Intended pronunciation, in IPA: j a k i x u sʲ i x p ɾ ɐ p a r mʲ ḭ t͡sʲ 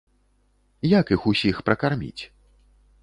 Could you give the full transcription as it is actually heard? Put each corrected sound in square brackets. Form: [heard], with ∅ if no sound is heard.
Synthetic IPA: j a k i x u sʲ i x p ɾ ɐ [k] a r mʲ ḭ t͡sʲ